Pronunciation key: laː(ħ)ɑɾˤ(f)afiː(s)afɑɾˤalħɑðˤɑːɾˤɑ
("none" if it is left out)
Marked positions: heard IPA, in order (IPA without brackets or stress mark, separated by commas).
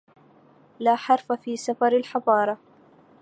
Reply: ħ, f, s